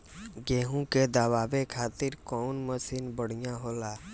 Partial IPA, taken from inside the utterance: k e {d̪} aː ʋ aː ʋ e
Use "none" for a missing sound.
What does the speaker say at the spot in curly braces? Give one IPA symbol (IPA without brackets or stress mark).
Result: d̪